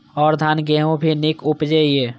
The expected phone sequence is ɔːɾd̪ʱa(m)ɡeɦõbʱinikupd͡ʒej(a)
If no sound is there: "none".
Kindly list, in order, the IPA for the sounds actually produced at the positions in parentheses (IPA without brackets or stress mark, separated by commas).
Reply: n, e